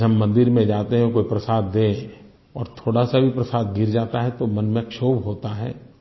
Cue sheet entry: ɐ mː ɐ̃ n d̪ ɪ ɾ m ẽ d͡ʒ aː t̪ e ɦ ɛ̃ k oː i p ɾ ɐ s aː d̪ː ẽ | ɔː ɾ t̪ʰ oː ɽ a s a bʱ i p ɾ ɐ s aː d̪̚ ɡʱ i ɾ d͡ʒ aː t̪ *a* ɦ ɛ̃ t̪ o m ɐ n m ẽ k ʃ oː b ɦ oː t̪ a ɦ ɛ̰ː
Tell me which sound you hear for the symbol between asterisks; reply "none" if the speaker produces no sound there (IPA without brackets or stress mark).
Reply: a